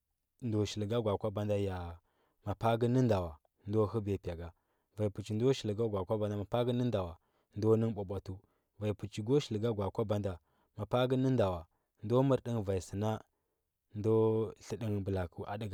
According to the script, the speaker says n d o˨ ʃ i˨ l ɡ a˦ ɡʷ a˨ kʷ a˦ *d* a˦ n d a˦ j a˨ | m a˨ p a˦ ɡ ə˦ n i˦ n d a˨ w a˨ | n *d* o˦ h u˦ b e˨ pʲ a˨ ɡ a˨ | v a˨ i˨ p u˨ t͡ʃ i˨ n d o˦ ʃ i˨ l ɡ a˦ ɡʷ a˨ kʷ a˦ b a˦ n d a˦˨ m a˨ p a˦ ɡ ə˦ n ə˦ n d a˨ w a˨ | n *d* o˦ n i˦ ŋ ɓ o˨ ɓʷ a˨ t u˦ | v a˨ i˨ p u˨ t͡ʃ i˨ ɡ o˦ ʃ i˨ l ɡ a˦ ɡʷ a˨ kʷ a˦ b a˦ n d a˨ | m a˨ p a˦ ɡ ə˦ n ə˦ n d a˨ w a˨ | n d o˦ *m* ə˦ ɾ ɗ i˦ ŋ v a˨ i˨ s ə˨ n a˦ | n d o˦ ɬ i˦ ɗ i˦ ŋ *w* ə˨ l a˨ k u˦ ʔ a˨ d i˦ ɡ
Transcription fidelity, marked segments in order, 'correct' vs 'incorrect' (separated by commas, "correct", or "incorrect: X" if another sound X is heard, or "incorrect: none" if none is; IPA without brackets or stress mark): incorrect: b, correct, correct, correct, incorrect: b